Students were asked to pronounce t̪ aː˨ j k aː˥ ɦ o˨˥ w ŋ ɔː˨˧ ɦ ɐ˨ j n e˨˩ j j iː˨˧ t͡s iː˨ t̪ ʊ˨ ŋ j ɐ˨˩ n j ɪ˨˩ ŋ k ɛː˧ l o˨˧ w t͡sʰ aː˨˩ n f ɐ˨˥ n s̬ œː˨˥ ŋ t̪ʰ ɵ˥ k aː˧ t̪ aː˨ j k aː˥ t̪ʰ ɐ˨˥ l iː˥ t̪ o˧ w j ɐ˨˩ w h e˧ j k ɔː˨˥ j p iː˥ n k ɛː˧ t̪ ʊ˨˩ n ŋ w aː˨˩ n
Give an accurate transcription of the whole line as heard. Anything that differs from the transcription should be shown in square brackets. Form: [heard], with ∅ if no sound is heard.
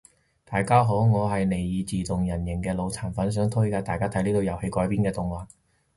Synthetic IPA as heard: t̪ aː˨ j k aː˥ ɦ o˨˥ w ŋ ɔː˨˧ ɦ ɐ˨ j n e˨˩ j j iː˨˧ t͡s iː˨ t̪ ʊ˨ ŋ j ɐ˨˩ n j ɪ˨˩ ŋ k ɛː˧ l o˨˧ w t͡sʰ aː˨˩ n f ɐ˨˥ n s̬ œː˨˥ ŋ t̪ʰ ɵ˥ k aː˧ t̪ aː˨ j k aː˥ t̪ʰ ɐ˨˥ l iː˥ t̪ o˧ w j ɐ˨˩ w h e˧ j k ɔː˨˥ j p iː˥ n k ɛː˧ t̪ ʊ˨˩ [∅] ŋ w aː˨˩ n

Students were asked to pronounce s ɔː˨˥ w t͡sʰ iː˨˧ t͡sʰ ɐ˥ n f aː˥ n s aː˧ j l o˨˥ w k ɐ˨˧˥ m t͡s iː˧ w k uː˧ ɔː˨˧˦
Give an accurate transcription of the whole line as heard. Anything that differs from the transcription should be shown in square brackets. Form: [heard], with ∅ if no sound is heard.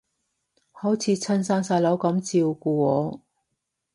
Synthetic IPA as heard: [h] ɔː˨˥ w t͡sʰ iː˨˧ t͡sʰ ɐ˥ n [s] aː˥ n s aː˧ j l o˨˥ w k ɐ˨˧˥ m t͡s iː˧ w k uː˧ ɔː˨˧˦

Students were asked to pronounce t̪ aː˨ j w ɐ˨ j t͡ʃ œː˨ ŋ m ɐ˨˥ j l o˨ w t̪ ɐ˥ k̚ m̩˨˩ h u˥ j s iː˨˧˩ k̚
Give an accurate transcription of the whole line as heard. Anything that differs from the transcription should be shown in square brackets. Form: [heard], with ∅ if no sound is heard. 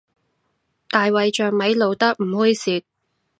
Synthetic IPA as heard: t̪ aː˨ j w ɐ˨ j t͡ʃ œː˨ ŋ m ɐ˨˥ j l o˨ w t̪ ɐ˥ k̚ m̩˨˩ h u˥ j s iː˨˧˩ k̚

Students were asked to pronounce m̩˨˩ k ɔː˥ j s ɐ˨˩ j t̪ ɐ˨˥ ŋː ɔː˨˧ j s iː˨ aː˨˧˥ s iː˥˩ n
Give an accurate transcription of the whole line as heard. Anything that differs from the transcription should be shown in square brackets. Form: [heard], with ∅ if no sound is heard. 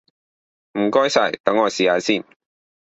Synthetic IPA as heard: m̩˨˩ k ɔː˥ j s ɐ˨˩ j t̪ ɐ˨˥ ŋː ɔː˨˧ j s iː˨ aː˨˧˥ s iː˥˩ n

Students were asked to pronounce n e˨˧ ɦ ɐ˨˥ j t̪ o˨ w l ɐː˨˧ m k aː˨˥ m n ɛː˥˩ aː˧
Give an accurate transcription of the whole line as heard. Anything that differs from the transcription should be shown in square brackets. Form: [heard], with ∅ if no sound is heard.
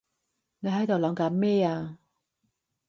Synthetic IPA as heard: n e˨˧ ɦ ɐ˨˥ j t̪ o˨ w l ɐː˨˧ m k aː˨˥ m [m] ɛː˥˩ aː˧

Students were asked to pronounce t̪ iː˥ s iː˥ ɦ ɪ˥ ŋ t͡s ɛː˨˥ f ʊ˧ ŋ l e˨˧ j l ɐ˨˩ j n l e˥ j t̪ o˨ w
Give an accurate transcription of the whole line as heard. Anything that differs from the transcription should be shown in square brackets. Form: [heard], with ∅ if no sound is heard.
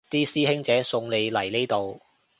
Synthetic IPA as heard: t̪ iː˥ s iː˥ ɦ ɪ˥ ŋ t͡s ɛː˨˥ [s] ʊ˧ ŋ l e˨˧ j l ɐ˨˩ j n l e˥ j t̪ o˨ w

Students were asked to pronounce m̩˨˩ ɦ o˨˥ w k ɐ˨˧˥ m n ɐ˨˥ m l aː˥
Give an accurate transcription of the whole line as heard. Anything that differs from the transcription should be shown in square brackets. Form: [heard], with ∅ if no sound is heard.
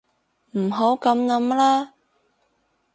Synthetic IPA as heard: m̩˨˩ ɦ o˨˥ w k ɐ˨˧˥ m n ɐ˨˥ m l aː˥

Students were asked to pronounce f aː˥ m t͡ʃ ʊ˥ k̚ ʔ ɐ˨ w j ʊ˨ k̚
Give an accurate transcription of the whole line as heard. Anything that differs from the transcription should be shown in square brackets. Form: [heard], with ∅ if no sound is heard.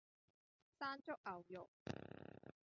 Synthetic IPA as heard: [s] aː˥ [n] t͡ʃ ʊ˥ k̚ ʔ ɐ˨ w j ʊ˨ k̚

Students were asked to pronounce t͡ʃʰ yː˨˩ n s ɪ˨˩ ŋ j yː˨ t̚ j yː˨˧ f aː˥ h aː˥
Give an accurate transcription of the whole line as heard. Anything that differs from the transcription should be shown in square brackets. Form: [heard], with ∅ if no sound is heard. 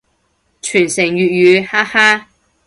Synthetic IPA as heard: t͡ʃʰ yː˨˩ n s ɪ˨˩ ŋ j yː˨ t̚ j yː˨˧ [h] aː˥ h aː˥

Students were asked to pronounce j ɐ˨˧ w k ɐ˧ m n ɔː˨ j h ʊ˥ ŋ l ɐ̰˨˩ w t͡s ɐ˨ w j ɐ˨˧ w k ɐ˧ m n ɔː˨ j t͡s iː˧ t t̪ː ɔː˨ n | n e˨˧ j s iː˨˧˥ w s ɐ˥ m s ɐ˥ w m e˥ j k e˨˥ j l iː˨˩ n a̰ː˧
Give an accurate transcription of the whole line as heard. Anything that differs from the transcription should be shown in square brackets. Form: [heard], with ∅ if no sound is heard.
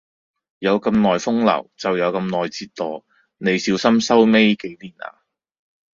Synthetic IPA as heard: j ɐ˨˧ w k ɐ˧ m n ɔː˨ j [f] ʊ˥ ŋ l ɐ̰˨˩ w t͡s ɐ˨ w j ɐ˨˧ w k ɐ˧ m n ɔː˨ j t͡s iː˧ t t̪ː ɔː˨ [∅] | n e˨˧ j s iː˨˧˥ w s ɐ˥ m s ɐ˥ w m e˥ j k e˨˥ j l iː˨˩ n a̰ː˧

